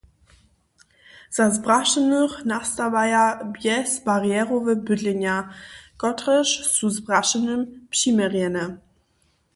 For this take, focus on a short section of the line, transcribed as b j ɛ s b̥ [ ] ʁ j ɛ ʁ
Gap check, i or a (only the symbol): a